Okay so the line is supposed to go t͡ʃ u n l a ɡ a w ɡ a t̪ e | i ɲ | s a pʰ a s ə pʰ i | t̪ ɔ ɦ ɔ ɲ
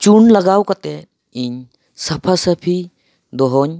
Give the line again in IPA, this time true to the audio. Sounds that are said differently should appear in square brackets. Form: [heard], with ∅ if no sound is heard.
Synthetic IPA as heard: t͡ʃ u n l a ɡ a w [k] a t̪ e | i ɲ | s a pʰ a s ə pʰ i | [d̪] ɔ ɦ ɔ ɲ